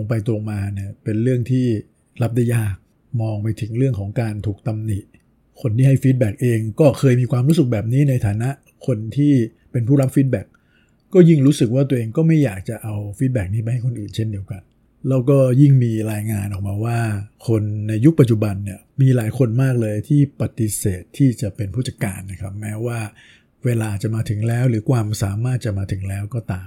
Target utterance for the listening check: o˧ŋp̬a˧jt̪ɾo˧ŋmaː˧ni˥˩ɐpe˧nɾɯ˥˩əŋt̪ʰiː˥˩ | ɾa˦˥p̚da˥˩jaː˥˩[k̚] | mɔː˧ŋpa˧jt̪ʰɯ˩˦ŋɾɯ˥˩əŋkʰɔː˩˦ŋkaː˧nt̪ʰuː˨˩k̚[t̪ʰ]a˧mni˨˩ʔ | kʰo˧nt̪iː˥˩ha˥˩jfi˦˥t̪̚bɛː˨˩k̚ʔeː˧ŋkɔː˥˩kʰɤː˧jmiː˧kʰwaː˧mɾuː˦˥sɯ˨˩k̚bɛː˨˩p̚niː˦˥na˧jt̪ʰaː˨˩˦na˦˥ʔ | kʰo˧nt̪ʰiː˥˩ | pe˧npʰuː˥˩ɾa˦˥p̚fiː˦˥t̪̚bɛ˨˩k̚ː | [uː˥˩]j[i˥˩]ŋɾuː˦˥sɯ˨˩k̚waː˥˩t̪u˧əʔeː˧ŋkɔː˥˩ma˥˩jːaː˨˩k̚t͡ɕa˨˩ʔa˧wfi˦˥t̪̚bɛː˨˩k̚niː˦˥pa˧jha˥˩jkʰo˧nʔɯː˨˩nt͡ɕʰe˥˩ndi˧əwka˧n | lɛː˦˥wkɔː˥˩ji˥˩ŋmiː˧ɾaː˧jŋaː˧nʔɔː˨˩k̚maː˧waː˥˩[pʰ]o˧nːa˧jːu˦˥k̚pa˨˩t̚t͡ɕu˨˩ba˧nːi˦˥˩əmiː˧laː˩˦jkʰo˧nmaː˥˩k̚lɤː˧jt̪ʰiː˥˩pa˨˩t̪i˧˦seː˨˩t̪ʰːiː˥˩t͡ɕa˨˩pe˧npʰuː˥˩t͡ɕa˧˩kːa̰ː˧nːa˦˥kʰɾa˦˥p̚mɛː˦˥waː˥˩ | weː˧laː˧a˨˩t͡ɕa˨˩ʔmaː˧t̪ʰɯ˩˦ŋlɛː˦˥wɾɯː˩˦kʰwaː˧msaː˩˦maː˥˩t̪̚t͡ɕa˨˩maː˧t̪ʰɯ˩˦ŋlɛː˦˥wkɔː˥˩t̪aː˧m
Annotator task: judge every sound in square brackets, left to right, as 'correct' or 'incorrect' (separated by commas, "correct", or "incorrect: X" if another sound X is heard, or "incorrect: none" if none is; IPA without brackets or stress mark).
correct, incorrect: t̪, incorrect: ɔː˥˩, correct, incorrect: kʰ